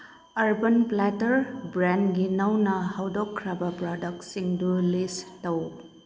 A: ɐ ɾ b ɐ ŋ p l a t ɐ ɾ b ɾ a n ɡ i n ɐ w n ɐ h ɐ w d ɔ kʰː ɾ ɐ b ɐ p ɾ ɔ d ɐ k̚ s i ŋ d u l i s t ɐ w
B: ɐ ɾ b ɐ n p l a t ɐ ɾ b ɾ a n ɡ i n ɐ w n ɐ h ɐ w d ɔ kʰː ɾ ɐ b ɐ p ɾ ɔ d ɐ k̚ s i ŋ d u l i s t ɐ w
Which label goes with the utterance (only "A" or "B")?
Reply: B